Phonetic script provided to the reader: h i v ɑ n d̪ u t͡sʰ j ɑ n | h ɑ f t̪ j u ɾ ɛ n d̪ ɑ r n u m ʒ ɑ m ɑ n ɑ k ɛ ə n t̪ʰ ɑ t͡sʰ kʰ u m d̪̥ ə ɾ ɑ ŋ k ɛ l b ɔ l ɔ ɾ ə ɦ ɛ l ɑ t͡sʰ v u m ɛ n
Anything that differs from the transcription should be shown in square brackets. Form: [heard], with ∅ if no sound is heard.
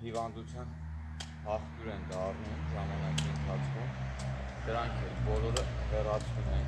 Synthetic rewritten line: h i v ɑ n d̪ u t͡sʰ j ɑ n | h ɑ [χ] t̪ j u ɾ ɛ n d̪ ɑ r n u m ʒ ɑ m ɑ n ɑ k [i] ə n t̪ʰ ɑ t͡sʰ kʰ u m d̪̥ ə ɾ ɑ ŋ [kʰ] ɛ l b ɔ l ɔ ɾ ə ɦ ɛ [r] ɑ t͡sʰ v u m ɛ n